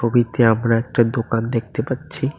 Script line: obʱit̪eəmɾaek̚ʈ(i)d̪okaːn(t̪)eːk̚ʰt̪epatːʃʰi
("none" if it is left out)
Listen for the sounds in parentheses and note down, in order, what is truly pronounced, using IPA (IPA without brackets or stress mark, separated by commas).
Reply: a, d̪